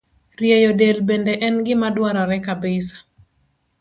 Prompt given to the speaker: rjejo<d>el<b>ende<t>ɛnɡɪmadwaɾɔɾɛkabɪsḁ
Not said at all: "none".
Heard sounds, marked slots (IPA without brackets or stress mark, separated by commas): d, b, ʔ